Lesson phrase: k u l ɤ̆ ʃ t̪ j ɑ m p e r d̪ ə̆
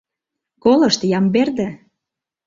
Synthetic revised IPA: k o l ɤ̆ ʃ t̪ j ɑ m b e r d̪ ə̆